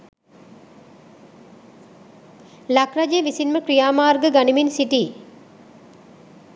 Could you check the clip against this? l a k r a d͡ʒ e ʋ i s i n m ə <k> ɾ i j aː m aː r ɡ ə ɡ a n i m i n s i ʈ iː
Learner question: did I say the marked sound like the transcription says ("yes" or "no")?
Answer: yes